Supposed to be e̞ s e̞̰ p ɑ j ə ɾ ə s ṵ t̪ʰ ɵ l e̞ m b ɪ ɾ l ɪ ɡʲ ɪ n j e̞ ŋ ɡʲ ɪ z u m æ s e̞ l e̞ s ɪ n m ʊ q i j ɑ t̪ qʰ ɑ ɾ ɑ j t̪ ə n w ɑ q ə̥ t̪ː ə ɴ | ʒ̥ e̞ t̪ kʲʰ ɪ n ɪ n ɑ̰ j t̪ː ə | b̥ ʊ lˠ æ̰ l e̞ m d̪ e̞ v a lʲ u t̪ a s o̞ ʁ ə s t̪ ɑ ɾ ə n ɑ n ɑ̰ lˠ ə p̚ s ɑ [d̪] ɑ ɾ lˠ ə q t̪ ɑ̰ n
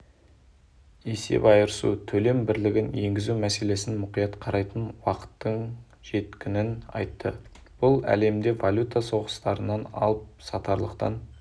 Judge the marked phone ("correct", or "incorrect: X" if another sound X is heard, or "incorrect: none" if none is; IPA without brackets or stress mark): incorrect: t̪